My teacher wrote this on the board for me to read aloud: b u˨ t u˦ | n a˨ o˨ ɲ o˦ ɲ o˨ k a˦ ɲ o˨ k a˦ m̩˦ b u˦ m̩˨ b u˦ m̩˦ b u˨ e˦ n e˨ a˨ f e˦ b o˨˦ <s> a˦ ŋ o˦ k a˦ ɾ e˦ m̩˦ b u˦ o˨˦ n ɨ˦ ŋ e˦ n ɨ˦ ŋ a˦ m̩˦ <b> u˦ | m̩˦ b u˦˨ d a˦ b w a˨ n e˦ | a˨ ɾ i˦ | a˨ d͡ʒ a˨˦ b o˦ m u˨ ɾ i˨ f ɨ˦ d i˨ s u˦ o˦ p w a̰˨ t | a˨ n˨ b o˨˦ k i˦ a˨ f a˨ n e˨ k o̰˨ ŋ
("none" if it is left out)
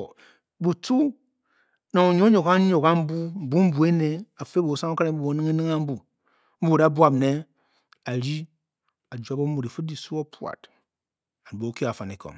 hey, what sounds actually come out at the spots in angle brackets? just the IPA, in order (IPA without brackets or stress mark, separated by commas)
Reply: s, b